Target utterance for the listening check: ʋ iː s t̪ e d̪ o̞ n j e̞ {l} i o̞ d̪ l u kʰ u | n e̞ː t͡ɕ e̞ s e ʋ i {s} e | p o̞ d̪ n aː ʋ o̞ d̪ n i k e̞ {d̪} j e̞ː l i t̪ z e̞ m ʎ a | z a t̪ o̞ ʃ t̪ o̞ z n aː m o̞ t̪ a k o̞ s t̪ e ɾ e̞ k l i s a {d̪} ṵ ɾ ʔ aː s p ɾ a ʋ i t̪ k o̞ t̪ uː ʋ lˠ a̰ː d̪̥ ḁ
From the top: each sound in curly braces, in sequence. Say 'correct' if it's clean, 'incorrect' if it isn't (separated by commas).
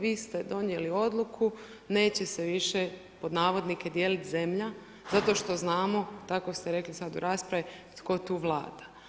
correct, incorrect, correct, correct